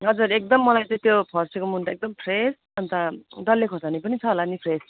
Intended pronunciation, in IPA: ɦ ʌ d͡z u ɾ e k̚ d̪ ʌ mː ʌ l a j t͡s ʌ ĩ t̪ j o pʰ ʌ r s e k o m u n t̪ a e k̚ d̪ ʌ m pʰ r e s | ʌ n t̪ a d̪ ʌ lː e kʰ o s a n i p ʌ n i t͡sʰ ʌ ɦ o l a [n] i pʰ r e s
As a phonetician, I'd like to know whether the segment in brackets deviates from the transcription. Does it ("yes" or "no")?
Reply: no